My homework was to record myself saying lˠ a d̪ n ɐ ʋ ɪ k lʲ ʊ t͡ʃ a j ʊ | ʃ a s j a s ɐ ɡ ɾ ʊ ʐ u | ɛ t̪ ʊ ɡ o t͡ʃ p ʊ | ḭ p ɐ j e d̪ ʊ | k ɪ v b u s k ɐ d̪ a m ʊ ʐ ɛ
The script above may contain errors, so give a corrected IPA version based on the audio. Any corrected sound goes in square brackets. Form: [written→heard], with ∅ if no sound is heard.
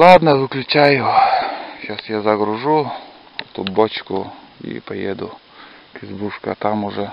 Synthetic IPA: lˠ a d̪ n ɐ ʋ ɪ k lʲ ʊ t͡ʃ a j ʊ | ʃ a s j a [s→z] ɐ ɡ ɾ ʊ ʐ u | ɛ t̪ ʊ [ɡ→b] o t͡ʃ [p→k] ʊ | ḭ p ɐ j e d̪ ʊ | k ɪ [v→z] b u [s→ʂ] k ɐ [d̪→t̪] a m ʊ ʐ ɛ